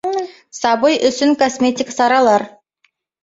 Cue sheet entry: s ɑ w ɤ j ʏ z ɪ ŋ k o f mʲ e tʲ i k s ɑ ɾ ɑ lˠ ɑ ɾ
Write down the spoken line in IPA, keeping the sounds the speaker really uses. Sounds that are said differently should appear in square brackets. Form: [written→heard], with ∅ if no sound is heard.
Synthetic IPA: s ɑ [w→b] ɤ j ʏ [z→s] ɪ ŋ k o [f→s] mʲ e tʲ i k s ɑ ɾ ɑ lˠ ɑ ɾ